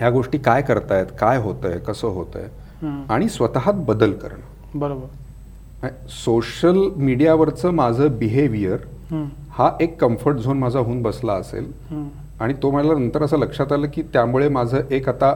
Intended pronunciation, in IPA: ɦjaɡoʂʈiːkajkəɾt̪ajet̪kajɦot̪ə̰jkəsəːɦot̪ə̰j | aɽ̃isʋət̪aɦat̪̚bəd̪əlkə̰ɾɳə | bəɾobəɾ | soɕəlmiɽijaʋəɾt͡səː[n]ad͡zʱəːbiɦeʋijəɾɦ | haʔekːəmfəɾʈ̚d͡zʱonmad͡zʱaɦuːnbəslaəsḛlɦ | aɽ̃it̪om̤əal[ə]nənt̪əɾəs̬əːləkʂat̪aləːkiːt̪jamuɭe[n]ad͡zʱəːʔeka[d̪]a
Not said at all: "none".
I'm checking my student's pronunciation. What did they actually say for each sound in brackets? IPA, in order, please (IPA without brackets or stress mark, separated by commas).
m, a, m, t̪